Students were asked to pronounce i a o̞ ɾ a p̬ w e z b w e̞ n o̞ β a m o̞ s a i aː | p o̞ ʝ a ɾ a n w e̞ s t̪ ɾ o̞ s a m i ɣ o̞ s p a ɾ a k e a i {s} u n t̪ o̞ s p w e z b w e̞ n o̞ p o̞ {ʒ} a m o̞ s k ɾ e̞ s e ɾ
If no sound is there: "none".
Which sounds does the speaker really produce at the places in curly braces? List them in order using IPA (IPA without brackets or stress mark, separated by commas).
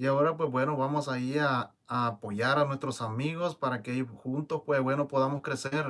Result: x, ð